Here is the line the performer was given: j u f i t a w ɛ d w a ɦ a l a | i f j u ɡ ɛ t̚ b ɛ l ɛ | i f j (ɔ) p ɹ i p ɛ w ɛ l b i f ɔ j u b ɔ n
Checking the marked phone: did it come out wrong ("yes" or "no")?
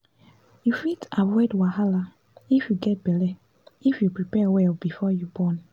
yes